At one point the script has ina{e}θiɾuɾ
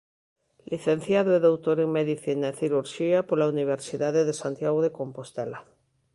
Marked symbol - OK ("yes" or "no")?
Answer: yes